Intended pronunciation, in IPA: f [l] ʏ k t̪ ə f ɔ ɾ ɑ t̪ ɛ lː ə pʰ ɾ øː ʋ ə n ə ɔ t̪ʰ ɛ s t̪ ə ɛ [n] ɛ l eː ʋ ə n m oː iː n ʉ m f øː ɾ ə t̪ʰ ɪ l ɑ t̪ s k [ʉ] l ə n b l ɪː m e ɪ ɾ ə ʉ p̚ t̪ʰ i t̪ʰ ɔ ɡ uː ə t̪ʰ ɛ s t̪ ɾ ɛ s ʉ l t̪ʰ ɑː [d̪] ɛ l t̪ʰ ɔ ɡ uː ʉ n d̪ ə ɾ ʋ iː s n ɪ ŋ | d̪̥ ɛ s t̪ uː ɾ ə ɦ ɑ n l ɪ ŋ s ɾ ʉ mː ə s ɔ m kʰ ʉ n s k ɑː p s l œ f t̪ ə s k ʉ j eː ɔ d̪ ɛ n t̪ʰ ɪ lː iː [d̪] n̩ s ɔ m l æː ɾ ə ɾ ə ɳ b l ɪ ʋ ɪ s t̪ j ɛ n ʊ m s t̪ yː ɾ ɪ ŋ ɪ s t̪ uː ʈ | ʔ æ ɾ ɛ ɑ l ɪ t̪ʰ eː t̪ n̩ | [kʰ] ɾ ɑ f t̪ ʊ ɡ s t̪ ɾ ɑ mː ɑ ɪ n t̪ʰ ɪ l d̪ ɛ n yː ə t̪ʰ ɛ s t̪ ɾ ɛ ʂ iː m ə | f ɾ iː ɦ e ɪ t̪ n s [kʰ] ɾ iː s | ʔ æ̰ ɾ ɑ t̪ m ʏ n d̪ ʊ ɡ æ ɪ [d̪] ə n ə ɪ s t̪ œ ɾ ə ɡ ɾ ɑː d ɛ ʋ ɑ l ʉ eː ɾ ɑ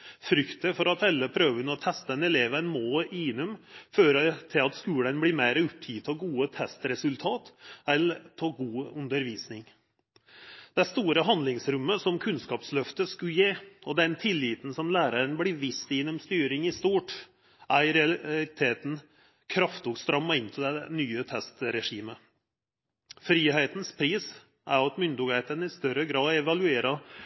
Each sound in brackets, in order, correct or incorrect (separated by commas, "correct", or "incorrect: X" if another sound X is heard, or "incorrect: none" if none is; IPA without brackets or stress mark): incorrect: ɾ, correct, incorrect: ʉː, incorrect: t̪, incorrect: t̪, correct, incorrect: pʰ, incorrect: t̪